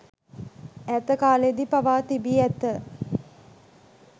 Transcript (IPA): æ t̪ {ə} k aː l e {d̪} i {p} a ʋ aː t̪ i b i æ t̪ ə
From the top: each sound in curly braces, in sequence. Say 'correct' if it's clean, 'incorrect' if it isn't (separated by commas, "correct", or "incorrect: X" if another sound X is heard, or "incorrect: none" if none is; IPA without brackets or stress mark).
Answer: correct, correct, correct